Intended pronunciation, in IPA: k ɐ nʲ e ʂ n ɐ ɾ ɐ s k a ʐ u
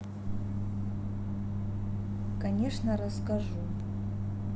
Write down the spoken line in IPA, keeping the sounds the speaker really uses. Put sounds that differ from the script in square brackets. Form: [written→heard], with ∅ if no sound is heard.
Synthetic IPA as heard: k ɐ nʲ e ʂ n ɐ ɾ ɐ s k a ʐ u